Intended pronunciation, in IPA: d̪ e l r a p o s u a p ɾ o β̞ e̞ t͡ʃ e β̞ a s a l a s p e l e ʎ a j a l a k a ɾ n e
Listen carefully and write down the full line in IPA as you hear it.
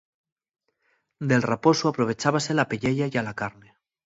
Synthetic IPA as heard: d̪ e l r a p o s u a p ɾ o β̞ e̞ t͡ʃ a β̞ a s e l a p e ʎ e ʎ a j a l a k a ɾ n e